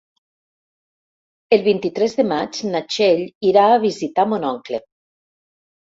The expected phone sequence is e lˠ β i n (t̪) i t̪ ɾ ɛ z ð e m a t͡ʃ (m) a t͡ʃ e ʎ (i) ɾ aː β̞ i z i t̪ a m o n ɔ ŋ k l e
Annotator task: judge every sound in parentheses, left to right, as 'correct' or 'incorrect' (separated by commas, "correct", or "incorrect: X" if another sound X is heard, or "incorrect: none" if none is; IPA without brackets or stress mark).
correct, incorrect: n, correct